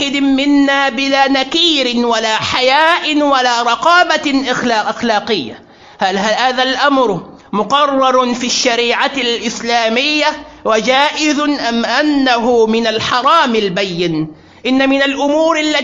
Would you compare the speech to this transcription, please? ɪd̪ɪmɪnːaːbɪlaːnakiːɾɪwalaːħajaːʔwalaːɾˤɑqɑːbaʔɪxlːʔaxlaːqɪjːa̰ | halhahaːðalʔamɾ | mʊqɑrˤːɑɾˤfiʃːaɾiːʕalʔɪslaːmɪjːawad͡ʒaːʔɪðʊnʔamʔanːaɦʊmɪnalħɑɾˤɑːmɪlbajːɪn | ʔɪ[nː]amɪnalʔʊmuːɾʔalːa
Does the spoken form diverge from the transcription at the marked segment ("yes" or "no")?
no